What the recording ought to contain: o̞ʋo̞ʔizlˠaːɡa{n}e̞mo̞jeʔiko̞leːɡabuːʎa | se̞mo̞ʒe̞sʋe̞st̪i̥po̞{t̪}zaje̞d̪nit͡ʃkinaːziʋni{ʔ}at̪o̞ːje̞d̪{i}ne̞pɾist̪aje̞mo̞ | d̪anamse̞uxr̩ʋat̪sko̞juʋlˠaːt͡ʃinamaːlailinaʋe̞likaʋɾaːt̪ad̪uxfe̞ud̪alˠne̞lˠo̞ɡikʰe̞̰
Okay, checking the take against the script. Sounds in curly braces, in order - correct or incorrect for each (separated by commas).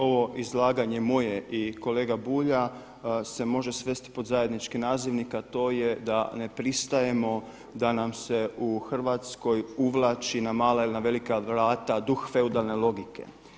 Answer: incorrect, incorrect, incorrect, incorrect